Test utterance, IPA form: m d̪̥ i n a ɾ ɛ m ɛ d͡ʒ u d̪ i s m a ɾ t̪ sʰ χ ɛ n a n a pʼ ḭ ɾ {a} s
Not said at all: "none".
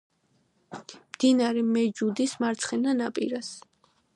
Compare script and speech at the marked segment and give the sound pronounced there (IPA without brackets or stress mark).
a